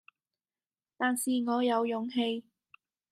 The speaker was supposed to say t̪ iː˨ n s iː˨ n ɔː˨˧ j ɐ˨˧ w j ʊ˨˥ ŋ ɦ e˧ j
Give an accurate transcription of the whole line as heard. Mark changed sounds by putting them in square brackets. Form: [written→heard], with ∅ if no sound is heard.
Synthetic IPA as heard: t̪ [iː˨→aː˨] n s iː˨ [n→ŋ] ɔː˨˧ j ɐ˨˧ w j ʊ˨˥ ŋ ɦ e˧ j

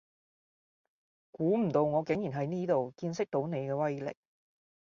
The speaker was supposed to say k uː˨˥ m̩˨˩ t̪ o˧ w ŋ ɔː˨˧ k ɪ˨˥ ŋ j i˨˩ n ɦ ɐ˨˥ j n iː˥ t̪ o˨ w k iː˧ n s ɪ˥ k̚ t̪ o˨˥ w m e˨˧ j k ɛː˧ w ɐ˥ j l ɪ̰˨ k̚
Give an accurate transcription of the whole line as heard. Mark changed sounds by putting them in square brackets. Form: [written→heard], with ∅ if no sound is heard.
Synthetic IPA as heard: k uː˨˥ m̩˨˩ t̪ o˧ w ŋ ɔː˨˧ k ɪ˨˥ ŋ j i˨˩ n ɦ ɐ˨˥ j n iː˥ t̪ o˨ w k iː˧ n s ɪ˥ k̚ t̪ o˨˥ w [m→n] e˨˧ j k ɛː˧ w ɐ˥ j l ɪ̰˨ k̚

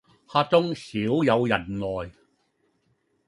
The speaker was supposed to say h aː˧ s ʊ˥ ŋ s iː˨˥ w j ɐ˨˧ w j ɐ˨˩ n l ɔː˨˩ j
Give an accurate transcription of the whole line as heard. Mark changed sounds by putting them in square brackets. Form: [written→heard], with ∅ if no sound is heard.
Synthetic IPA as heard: h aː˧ [s→t͡s] ʊ˥ ŋ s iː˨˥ w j ɐ˨˧ w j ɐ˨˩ n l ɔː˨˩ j

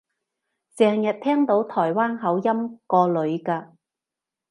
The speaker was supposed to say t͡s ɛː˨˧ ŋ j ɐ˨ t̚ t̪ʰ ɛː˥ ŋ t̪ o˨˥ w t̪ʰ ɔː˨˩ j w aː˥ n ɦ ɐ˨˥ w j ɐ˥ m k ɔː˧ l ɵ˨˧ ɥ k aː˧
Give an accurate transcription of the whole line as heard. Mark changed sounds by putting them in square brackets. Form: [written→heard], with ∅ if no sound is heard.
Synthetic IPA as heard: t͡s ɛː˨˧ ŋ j ɐ˨ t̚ t̪ʰ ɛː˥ ŋ t̪ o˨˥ w t̪ʰ ɔː˨˩ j w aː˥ n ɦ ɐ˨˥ w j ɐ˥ m k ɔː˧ l ɵ˨˧ ɥ k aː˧

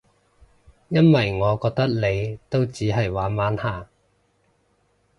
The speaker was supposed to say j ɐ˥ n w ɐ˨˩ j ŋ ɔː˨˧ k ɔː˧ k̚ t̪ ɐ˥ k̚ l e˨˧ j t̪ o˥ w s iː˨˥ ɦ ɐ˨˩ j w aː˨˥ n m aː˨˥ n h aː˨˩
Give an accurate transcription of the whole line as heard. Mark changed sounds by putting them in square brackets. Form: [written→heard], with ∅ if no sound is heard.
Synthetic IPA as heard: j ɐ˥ n w ɐ˨˩ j ŋ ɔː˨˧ k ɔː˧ k̚ t̪ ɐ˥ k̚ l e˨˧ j t̪ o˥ w [s→t͡s] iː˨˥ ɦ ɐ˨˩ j w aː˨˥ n m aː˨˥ n h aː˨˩

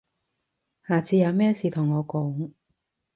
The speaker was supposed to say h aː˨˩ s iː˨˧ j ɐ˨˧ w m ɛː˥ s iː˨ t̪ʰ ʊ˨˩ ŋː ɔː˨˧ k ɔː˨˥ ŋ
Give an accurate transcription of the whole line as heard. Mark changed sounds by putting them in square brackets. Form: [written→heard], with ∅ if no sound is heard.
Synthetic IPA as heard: h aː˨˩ [s→t͡s] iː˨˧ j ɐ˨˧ w m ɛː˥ s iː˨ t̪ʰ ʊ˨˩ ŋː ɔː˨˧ k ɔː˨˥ ŋ

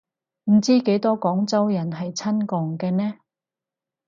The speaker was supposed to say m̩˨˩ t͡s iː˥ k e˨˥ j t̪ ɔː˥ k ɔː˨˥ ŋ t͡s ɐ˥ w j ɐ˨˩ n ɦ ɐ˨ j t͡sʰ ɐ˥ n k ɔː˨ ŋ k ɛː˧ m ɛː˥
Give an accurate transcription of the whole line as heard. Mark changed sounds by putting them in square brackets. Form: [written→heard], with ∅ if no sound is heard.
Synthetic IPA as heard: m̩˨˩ t͡s iː˥ k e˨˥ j t̪ ɔː˥ k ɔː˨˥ ŋ t͡s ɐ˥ w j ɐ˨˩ n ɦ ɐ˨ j t͡sʰ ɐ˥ n k ɔː˨ ŋ k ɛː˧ [m→n] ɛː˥

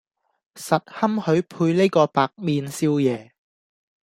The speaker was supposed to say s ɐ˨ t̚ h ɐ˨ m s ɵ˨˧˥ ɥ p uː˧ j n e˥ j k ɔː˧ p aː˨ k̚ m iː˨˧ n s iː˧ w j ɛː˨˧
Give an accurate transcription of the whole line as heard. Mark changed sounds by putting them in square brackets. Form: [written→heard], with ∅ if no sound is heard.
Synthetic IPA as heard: s ɐ˨ t̚ h [ɐ˨→ɐ˥] m [s→h] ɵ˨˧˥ ɥ [p→pʰ] uː˧ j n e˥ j k ɔː˧ p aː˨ k̚ m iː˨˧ n s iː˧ w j ɛː˨˧

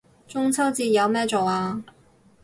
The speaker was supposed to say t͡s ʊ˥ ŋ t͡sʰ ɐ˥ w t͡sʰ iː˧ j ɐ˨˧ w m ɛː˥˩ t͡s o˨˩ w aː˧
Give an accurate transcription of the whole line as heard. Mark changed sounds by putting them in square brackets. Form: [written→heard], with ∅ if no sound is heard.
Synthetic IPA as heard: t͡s ʊ˥ ŋ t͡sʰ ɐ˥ w [t͡sʰ→t͡s] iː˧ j ɐ˨˧ w m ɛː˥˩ t͡s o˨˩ w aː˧

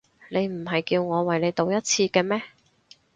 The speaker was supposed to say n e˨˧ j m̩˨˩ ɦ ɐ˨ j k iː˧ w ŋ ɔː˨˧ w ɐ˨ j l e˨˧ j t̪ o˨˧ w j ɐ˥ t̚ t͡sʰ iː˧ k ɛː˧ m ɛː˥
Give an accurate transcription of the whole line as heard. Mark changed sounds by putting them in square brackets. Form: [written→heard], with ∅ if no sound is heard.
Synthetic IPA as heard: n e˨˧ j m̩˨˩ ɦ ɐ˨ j k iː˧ w ŋ ɔː˨˧ w ɐ˨ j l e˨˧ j t̪ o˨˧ w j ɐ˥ t̚ t͡sʰ iː˧ k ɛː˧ m ɛː˥

